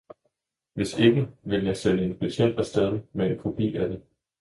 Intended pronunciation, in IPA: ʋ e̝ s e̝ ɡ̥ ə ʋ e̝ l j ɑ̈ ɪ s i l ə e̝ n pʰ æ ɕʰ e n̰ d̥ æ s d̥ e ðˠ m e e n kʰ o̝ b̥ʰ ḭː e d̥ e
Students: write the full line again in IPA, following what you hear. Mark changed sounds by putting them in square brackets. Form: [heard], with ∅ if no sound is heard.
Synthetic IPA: ʋ e̝ s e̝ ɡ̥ ə ʋ e̝ l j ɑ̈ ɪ s [e] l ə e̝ n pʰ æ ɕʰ e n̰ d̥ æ s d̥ e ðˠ m e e n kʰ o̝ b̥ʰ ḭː [æ] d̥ e